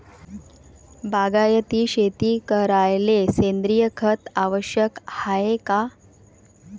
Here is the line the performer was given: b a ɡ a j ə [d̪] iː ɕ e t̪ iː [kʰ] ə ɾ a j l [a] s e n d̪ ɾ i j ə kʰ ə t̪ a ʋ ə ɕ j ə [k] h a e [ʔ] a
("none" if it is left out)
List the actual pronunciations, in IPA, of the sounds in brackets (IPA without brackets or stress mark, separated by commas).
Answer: t̪, k, e, k, k